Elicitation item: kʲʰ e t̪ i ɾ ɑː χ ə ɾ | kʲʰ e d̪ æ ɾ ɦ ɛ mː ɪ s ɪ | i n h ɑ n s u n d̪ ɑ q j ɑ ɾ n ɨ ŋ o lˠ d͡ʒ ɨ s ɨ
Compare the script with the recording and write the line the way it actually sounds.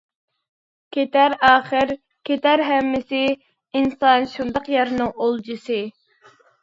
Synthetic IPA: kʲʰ e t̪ æ ɾ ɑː χ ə ɾ | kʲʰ e t̪ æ ɾ ɦ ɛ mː ɪ s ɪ | i n s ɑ n ʃ u n d̪ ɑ q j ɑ ɾ n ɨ ŋ o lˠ d͡ʒ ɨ s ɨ